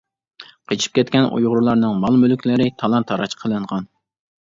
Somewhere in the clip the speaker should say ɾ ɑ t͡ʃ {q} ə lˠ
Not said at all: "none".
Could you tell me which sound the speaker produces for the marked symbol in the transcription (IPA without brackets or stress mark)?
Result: qʰ